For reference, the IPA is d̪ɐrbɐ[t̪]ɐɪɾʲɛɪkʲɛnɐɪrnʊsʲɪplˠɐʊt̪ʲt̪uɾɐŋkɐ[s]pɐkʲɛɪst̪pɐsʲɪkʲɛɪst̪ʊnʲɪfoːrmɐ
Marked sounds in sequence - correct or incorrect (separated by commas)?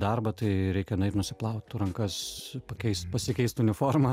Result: correct, correct